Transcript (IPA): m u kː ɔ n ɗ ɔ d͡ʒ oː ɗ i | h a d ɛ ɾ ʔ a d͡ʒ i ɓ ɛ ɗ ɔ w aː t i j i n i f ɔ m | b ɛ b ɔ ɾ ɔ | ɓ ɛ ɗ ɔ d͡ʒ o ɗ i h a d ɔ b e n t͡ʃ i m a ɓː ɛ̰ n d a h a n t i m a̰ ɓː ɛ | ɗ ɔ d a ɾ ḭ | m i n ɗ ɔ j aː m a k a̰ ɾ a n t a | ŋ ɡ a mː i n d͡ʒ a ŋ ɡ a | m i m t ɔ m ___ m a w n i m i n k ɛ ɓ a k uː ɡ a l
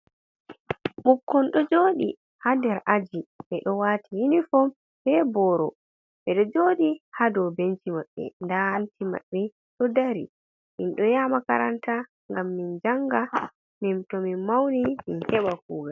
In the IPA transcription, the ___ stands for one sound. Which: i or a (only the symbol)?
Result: i